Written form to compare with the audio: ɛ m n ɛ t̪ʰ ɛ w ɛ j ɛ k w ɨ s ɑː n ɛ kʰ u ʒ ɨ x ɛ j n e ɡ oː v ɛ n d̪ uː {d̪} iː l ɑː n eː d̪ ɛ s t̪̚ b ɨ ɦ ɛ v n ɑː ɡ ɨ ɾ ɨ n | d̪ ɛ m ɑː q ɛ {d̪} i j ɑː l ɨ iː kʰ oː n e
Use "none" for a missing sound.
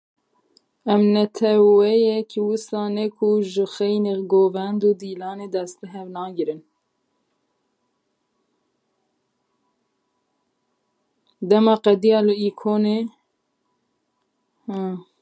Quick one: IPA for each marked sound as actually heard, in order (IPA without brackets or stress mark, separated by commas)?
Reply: d̪, d̪